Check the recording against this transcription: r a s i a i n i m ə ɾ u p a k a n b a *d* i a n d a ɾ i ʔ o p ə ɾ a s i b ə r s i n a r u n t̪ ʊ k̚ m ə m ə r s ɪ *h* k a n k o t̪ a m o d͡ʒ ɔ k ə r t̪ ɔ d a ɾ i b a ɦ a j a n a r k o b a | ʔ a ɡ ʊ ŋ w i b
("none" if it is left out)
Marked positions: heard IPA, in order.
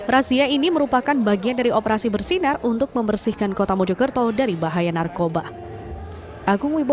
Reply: ɡ, h

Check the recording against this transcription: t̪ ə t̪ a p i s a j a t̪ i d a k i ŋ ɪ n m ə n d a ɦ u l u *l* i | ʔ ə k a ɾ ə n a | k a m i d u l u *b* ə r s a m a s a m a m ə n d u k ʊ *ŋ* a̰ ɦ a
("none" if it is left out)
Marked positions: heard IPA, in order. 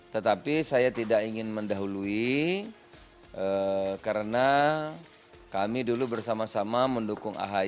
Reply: none, b, ŋ

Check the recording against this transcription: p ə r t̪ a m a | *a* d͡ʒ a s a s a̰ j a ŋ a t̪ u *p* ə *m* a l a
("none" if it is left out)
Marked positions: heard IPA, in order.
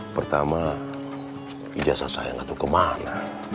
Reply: i, k, m

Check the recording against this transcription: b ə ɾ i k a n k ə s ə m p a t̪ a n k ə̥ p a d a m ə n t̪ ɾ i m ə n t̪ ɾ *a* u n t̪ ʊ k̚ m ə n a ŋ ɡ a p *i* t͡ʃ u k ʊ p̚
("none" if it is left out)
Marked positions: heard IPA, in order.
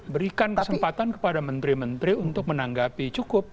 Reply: i, i

